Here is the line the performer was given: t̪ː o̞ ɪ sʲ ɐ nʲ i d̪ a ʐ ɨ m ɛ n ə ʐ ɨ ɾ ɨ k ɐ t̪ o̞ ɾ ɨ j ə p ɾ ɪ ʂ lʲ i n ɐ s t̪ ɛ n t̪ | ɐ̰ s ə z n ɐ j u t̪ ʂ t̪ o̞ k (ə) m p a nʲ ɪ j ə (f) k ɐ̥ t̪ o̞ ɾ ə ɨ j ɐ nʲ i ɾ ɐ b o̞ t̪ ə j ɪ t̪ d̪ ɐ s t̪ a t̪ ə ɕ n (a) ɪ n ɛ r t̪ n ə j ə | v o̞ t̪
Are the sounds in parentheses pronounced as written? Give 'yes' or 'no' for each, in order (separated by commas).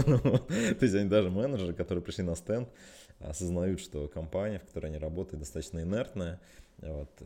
no, yes, no